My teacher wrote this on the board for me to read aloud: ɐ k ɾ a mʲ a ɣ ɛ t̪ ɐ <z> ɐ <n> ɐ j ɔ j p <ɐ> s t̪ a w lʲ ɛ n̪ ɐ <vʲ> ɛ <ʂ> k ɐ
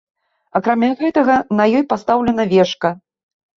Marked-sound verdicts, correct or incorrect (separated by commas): incorrect, correct, incorrect, correct, correct